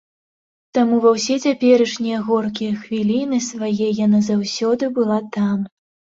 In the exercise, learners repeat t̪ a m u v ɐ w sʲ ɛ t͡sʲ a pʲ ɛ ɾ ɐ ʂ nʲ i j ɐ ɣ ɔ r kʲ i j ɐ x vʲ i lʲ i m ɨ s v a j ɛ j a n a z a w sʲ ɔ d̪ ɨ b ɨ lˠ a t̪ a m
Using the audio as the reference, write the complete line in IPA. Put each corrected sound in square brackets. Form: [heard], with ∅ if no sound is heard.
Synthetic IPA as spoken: t̪ a m u v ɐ w sʲ ɛ t͡sʲ a pʲ ɛ ɾ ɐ ʂ nʲ i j ɐ ɣ ɔ r kʲ i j ɐ x vʲ i lʲ i [n] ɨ s v a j ɛ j a n a z a w sʲ ɔ d̪ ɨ b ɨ lˠ a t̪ a m